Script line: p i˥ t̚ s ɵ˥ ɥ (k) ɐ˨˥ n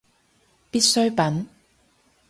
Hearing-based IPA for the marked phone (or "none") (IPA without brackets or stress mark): p